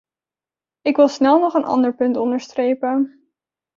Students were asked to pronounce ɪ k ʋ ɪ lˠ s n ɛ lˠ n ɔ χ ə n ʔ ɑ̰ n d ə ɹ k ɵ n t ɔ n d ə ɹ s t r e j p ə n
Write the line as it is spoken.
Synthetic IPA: ɪ k ʋ ɪ lˠ s n ɛ lˠ n ɔ χ ə n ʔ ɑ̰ n d ə ɹ p ɵ n t ɔ n d ə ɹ s t r e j p ə n